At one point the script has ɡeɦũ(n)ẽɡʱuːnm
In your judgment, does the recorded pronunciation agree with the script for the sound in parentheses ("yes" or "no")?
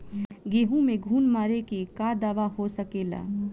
no